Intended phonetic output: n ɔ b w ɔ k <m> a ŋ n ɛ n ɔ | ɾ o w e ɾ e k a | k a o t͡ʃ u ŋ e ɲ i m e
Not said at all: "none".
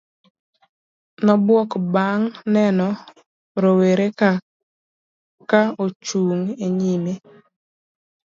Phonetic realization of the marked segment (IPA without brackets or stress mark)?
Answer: b